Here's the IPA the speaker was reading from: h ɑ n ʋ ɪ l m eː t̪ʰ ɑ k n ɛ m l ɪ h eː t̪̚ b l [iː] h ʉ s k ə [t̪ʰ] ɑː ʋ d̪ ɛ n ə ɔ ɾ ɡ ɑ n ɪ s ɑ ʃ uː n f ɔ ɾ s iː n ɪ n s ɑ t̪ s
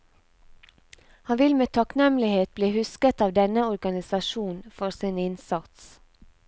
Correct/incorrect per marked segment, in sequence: correct, incorrect

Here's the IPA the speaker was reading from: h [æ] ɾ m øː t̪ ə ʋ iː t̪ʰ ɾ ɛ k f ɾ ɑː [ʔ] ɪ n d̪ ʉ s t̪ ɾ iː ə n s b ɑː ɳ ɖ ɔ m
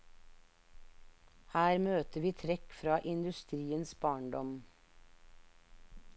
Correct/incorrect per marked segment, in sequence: incorrect, correct

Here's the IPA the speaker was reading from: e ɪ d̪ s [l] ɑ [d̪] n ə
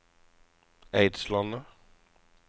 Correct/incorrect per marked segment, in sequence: correct, incorrect

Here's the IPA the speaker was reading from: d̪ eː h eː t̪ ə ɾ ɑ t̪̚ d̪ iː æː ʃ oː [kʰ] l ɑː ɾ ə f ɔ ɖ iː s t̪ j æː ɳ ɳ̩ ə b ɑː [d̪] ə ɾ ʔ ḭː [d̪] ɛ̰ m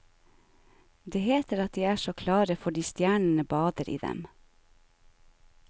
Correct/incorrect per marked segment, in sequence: correct, correct, correct

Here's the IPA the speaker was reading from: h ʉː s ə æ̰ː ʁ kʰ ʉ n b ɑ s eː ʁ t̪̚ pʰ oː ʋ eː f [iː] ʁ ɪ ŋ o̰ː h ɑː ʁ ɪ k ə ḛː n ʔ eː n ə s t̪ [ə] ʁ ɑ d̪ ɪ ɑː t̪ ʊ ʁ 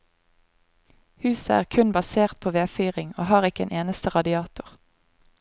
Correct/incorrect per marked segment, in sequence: incorrect, correct

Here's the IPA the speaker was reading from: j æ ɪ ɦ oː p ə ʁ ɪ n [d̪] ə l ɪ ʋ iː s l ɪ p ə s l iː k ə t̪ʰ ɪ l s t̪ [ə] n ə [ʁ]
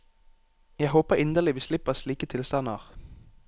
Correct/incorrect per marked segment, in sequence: correct, incorrect, correct

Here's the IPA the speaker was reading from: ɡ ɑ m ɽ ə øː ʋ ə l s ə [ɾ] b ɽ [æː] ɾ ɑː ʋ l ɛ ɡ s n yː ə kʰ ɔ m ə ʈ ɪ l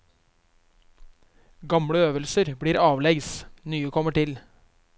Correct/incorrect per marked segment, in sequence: correct, incorrect

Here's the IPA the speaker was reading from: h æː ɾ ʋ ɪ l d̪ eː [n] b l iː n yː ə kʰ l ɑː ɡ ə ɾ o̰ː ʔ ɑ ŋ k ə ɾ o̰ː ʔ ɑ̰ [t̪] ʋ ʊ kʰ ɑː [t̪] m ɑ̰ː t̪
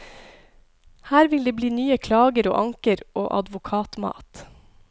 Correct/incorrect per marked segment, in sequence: incorrect, incorrect, correct

